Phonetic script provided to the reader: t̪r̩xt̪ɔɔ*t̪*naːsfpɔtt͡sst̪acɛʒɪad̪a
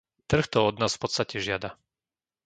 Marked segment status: incorrect: d̪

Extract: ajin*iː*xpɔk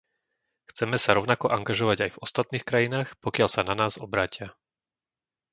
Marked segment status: incorrect: aː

